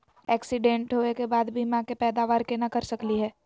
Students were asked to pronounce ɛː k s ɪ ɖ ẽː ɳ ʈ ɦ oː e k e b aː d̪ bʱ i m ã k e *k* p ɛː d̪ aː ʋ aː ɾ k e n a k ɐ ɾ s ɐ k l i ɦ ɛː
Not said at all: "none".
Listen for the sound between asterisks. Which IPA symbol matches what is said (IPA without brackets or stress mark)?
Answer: none